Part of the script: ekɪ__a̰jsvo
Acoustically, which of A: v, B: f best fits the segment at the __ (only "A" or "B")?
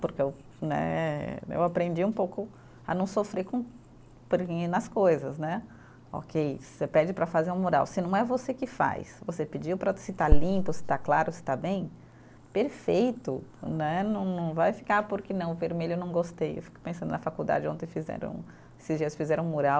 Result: B